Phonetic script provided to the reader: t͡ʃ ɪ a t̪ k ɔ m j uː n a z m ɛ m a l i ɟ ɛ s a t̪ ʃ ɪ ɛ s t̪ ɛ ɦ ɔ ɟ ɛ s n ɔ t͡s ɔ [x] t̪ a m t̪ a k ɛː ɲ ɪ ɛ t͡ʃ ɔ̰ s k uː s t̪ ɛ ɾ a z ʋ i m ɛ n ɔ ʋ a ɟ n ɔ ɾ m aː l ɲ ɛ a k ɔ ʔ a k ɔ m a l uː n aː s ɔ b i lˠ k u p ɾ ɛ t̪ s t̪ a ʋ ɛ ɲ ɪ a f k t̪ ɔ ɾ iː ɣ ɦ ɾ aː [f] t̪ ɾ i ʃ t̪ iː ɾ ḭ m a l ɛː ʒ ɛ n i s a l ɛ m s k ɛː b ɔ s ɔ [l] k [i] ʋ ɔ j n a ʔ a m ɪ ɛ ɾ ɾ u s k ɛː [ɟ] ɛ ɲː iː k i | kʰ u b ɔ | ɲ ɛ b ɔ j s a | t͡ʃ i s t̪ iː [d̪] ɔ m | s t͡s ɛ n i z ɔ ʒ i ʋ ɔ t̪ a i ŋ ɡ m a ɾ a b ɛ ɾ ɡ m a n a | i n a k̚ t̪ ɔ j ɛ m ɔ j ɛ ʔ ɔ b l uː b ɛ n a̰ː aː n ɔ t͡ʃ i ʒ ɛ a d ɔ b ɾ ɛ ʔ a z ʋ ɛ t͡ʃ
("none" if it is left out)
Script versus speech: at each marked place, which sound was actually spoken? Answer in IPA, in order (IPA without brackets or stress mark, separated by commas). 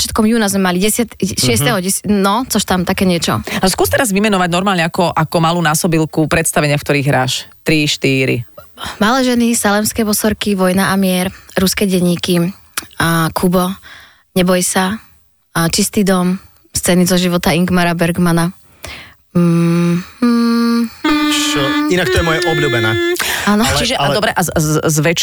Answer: ʃ, ʃ, ɾ, i, ɟ, d̪